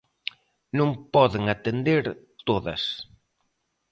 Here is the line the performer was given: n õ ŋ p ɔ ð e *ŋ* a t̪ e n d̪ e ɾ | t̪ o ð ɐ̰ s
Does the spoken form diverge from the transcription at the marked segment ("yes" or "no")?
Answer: no